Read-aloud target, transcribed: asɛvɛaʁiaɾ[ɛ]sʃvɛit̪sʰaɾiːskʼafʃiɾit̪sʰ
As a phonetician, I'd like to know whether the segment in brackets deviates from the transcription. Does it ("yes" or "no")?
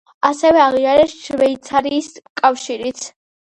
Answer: no